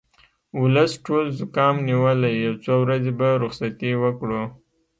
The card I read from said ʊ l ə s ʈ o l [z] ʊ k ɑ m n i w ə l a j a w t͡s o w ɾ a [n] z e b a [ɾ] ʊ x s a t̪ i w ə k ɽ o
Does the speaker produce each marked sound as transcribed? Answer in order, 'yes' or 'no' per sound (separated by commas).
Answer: yes, no, yes